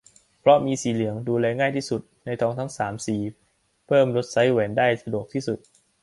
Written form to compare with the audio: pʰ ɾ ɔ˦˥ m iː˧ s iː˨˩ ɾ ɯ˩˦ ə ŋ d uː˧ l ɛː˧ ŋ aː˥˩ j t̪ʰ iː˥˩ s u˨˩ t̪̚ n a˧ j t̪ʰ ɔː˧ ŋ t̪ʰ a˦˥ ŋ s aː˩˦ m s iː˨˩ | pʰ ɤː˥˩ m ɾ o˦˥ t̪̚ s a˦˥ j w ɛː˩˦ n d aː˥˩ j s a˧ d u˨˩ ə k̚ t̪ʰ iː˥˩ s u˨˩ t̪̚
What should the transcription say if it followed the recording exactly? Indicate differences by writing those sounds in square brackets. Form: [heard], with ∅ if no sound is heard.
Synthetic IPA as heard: pʰ ɾ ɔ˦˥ m iː˧ s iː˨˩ [l] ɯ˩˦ ə ŋ d uː˧ l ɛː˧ ŋ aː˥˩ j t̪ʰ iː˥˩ s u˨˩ t̪̚ n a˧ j t̪ʰ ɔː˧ ŋ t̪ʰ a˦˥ ŋ s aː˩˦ m s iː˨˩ | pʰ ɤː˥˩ m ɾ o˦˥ t̪̚ s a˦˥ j w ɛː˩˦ n d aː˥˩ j s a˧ d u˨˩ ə k̚ t̪ʰ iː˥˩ s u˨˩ t̪̚